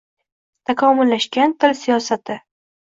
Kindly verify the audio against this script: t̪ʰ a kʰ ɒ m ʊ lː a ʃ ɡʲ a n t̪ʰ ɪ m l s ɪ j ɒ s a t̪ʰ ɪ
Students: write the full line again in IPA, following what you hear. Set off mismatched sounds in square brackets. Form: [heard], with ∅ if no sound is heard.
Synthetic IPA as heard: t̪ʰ a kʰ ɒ m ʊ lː a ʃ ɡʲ a n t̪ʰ ɪ [∅] l s [i] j ɒ s a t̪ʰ ɪ